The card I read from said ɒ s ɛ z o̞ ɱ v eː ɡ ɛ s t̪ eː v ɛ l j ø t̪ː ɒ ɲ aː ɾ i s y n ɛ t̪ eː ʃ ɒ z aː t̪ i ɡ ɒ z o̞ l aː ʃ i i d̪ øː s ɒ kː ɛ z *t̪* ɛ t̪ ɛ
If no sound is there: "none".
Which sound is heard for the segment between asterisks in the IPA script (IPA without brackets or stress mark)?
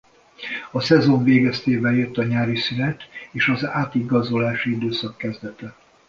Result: d̪